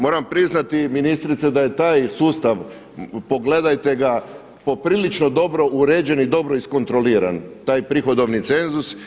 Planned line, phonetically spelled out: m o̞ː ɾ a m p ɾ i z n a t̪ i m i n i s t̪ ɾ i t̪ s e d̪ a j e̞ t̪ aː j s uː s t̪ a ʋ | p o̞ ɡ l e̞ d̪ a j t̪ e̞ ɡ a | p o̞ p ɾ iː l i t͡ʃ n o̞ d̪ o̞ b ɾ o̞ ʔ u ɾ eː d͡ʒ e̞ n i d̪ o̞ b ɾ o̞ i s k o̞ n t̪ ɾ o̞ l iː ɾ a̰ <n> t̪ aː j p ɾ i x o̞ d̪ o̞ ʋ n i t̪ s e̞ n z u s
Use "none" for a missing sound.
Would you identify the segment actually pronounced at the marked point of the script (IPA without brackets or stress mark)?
n